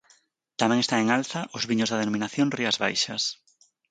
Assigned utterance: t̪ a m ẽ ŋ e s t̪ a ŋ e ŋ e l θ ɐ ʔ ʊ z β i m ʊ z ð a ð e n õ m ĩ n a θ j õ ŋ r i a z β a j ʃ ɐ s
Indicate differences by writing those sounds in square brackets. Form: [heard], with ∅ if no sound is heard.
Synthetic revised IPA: t̪ a m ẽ ŋ e s t̪ a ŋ e ŋ [a] l θ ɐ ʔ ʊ z β i [ɲ] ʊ z ð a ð e n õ m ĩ n a θ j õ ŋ r i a z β a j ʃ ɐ s